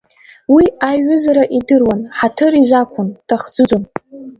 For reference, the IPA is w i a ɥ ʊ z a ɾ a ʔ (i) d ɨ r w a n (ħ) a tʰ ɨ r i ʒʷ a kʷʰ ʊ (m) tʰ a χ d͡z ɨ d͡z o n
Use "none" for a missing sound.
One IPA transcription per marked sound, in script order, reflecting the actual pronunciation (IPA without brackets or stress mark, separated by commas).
i, ħ, n